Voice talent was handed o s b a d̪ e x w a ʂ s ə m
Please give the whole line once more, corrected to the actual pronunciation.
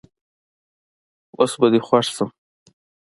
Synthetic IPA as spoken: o s b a d̪ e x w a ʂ s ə m